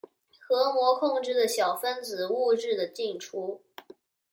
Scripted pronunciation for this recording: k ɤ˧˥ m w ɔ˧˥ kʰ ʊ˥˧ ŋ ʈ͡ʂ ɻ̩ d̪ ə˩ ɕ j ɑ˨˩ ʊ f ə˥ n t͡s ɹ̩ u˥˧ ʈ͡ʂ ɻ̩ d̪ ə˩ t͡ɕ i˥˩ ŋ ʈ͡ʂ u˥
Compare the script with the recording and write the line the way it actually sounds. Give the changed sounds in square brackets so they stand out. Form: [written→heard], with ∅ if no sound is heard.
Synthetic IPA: [k→x] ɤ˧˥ m w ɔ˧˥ kʰ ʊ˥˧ ŋ ʈ͡ʂ ɻ̩ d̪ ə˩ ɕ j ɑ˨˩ ʊ f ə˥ n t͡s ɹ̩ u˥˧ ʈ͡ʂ ɻ̩ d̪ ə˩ t͡ɕ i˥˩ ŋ [ʈ͡ʂ→ʈ͡ʂʰ] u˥